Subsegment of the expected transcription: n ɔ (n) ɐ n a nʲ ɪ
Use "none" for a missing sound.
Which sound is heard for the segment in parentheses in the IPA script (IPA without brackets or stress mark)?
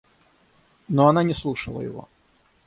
none